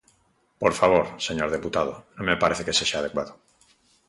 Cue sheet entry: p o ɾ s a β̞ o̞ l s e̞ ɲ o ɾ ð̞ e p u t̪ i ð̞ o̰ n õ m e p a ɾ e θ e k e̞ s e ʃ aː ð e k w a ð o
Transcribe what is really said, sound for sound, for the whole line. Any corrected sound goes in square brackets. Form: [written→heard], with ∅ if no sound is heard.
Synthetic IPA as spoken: p o ɾ [s→f] a β̞ o̞ [l→ɾ] s e̞ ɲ o ɾ ð̞ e p u t̪ [i→a] ð̞ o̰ n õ m e p a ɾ e θ e k e̞ s e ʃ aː ð e k w a ð o